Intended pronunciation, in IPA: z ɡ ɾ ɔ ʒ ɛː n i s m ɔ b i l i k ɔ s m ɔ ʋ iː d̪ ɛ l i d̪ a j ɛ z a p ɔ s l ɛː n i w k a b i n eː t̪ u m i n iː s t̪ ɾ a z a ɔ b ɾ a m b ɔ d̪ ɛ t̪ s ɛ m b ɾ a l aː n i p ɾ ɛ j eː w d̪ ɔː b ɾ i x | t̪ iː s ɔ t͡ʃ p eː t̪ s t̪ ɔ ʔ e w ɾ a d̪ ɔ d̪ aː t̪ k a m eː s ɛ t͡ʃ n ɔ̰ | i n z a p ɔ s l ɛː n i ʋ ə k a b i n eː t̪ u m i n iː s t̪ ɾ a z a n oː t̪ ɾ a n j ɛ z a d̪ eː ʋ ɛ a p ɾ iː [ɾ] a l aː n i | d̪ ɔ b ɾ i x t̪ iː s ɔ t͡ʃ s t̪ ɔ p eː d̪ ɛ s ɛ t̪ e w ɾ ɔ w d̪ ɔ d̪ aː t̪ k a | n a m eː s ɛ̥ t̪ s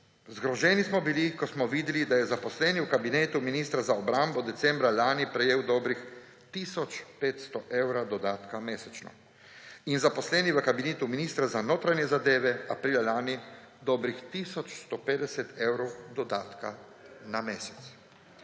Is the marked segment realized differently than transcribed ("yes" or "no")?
yes